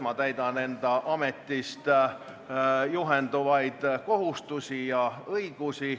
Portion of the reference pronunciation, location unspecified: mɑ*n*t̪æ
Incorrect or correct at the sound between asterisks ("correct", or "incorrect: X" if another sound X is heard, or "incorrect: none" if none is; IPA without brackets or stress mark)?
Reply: incorrect: none